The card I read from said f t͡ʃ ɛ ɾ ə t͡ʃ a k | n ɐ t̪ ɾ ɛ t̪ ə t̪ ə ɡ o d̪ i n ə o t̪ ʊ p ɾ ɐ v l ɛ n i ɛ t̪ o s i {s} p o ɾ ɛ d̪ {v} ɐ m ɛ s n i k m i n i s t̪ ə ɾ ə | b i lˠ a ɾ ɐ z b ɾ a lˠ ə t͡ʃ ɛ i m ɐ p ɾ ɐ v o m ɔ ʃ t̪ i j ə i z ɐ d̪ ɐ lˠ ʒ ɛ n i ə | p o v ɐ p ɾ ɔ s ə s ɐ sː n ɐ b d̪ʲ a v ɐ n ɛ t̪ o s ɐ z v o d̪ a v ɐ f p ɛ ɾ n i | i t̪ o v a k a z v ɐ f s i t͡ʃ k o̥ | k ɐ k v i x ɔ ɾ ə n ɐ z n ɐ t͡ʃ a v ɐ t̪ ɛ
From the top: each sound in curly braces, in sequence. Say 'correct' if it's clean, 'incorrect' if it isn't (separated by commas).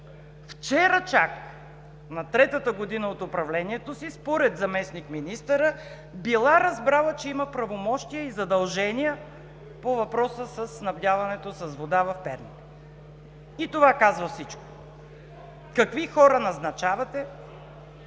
correct, incorrect